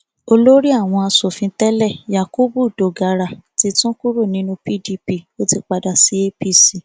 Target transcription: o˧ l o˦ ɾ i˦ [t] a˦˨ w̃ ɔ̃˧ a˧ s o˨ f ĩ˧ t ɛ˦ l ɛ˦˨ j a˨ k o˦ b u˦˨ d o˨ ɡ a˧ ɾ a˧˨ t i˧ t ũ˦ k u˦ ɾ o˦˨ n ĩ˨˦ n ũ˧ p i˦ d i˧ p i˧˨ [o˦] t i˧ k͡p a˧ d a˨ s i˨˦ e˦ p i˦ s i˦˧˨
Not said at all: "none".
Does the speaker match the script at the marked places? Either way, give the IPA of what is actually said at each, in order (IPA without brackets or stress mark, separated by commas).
none, o˦